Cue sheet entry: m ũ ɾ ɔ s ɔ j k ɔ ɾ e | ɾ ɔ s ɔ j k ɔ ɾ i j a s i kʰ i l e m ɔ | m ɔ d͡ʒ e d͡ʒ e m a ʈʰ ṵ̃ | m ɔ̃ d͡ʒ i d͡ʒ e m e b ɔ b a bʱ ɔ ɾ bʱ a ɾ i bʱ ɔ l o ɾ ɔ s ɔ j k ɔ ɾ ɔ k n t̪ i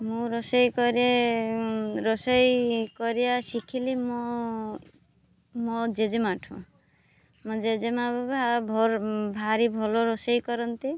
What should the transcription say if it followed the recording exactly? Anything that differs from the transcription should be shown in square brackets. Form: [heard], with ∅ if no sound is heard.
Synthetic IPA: m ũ ɾ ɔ s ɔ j k ɔ ɾ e | ɾ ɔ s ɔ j k ɔ ɾ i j a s i kʰ i l [i] m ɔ | m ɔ d͡ʒ e d͡ʒ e m a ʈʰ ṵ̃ | m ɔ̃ d͡ʒ [e] d͡ʒ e m [a] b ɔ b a bʱ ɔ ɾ bʱ a ɾ i bʱ ɔ l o ɾ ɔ s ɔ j k ɔ ɾ ɔ [∅] n t̪ i

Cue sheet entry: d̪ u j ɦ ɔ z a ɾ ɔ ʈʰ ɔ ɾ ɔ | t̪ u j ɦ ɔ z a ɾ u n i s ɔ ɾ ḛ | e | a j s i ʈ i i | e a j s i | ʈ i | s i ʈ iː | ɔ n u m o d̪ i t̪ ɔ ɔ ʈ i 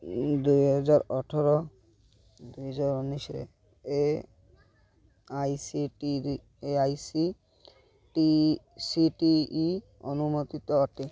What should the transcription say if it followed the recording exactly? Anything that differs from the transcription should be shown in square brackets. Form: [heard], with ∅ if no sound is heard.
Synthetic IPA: d̪ u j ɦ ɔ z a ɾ ɔ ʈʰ ɔ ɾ ɔ | [d̪] u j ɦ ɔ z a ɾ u n i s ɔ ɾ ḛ | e | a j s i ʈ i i | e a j s i | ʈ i | s i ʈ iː | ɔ n u m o [t̪] i t̪ ɔ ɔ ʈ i

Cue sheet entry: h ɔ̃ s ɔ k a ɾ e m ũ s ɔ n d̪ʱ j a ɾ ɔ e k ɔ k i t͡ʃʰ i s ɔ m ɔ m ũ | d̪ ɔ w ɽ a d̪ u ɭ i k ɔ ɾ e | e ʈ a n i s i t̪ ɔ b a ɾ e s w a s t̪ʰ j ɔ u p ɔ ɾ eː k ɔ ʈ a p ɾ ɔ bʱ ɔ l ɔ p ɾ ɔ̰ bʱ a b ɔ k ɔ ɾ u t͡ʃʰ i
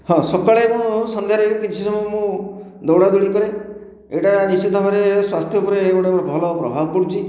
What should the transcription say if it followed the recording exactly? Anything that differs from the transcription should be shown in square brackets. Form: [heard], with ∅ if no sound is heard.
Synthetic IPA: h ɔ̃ s ɔ k a [ɭ] e m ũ s ɔ n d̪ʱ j a ɾ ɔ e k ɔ k i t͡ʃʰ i s ɔ m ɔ m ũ | d̪ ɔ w ɽ a d̪ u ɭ i k ɔ ɾ e | e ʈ a n i s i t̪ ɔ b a ɾ e s w a s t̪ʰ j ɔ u p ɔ ɾ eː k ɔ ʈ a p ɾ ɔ bʱ ɔ l ɔ p ɾ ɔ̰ bʱ a b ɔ k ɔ [ɽ] u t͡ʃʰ i

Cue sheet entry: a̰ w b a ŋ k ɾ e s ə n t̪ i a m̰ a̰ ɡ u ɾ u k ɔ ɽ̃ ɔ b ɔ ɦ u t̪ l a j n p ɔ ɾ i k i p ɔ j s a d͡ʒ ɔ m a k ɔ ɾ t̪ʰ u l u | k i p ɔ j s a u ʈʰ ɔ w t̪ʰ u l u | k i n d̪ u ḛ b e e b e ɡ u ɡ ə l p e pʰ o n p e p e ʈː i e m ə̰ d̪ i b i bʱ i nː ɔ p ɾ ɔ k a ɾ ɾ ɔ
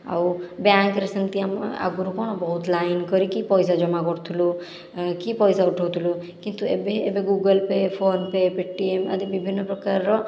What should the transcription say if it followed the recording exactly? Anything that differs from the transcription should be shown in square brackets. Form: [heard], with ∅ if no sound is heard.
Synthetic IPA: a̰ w b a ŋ k ɾ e s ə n t̪ i a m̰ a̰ ɡ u ɾ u k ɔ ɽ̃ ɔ b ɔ ɦ u t̪ l a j n [k] ɔ ɾ i k i p ɔ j s a d͡ʒ ɔ m a k ɔ ɾ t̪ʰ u l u | k i p ɔ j s a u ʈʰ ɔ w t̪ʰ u l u | k i n [t̪] u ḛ b e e b e ɡ u ɡ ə l p e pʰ o n p e p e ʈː i e m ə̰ d̪ i b i bʱ i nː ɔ p ɾ ɔ k a ɾ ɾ ɔ

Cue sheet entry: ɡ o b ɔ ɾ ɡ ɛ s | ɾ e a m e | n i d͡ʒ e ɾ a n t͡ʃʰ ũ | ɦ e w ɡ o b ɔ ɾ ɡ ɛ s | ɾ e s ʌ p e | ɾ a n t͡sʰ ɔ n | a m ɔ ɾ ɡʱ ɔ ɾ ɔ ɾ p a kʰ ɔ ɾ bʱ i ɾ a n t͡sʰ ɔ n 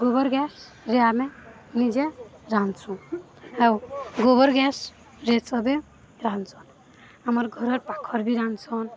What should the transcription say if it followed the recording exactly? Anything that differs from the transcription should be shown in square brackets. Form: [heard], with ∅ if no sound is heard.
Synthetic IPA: ɡ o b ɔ ɾ ɡ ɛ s | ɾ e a m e | n i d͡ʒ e ɾ a n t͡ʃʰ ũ | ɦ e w ɡ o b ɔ ɾ ɡ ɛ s | ɾ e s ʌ [b] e | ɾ a n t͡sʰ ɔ n | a m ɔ ɾ ɡʱ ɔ ɾ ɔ ɾ p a kʰ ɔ ɾ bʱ i ɾ a n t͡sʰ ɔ n

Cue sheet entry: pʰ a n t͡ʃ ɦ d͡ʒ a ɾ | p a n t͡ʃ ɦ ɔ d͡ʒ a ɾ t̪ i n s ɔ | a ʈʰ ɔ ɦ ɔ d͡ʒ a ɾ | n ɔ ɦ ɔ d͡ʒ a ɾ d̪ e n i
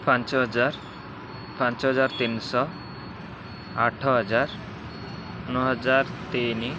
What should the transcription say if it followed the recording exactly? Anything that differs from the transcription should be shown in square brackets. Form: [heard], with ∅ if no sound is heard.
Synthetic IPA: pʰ a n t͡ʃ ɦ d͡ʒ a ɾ | p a n t͡ʃ ɦ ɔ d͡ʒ a ɾ t̪ i n s ɔ | a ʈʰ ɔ ɦ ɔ d͡ʒ a ɾ | n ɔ ɦ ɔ d͡ʒ a ɾ [t̪] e n i

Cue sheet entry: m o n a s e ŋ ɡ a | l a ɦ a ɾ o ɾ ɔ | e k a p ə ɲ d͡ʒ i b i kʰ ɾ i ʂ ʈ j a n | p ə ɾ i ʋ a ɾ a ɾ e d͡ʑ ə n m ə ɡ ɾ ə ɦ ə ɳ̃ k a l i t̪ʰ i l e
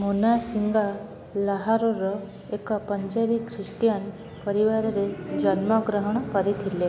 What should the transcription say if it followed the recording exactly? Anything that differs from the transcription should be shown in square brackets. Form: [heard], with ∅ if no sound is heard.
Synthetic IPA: m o n a s [i] ŋ ɡ a | l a ɦ a ɾ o ɾ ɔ | e k a p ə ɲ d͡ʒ [a] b i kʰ ɾ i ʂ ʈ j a n | p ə ɾ i ʋ a ɾ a ɾ e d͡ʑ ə n m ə ɡ ɾ ə ɦ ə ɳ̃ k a [ɾ] i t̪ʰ i l e

